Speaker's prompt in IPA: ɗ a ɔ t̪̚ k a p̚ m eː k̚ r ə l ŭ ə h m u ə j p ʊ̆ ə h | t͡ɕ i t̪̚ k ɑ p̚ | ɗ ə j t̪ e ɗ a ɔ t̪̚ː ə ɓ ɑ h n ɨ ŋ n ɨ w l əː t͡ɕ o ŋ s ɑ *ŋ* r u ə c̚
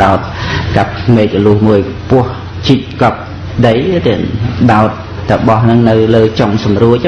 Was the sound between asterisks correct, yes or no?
no